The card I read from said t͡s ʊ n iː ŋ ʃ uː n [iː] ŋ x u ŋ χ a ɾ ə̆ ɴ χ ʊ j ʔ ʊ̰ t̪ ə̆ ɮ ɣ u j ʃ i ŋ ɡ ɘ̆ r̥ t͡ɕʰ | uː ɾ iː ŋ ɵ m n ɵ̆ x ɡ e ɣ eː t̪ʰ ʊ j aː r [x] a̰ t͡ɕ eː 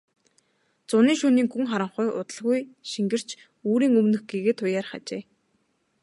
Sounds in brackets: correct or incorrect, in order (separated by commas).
correct, incorrect